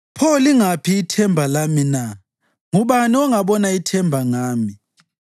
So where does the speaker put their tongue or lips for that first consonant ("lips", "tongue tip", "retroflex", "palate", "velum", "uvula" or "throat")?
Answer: lips